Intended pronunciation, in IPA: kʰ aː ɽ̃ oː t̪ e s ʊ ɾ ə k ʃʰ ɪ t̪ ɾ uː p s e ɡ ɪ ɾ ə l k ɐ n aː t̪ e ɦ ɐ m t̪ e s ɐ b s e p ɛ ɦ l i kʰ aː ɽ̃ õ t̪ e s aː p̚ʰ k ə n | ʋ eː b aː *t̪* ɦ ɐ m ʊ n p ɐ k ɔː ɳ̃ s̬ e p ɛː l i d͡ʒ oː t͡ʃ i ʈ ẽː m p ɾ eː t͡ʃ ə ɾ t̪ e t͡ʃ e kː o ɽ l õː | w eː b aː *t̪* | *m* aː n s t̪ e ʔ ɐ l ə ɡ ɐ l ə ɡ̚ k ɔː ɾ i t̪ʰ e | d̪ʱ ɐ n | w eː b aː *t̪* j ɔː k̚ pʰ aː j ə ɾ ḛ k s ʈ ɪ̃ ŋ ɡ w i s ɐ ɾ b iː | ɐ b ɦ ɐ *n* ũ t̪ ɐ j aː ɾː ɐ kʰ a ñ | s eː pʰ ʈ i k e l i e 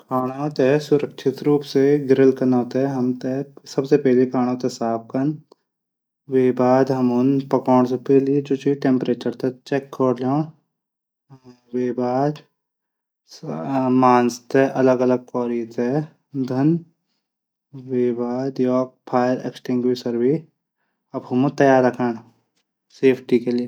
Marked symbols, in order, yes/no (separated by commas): no, no, yes, no, no